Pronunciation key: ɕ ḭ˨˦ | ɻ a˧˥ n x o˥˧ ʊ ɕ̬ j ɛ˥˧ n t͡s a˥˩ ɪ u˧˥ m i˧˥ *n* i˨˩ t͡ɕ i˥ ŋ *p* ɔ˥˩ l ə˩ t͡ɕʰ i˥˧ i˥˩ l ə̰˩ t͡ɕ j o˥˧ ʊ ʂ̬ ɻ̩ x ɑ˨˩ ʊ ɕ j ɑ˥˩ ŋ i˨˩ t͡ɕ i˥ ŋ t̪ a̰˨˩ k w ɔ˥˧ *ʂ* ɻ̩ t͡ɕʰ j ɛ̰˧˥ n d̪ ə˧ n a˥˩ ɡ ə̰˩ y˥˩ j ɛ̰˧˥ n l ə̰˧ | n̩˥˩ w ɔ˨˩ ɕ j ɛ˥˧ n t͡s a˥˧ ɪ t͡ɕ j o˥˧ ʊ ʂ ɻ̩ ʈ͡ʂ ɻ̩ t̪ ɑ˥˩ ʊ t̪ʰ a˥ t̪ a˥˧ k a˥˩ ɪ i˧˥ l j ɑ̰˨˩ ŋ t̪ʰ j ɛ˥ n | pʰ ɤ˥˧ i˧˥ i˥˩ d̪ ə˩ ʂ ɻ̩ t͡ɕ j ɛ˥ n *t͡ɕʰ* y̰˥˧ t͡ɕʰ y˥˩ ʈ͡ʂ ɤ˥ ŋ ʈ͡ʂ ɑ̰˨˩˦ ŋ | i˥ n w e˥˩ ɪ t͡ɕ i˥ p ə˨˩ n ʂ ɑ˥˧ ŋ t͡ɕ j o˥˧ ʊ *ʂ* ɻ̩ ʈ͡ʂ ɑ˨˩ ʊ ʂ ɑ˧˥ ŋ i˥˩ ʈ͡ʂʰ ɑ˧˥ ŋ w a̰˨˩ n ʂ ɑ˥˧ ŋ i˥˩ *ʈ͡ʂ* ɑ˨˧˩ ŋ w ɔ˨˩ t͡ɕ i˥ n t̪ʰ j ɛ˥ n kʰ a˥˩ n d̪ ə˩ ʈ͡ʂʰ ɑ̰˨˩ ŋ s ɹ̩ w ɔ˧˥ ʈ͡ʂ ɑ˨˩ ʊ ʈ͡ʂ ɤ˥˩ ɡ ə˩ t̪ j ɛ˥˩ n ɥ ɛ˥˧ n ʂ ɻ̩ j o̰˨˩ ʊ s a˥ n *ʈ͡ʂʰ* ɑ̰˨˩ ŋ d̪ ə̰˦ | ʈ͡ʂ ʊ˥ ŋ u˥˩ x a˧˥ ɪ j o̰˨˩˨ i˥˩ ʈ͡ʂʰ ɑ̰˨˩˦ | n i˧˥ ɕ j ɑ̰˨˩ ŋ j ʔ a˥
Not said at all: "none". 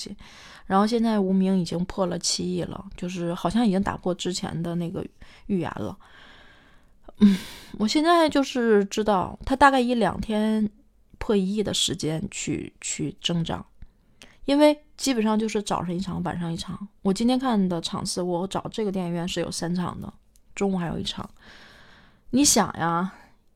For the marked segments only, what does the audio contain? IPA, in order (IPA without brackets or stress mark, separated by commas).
ŋ, pʰ, ʈ͡ʂ, t͡ɕʰ, ʂ, ʈ͡ʂʰ, ʈ͡ʂʰ